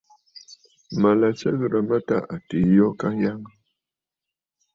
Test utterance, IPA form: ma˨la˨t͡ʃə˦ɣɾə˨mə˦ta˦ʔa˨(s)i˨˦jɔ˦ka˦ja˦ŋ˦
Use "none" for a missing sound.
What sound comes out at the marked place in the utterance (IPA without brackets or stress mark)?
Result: t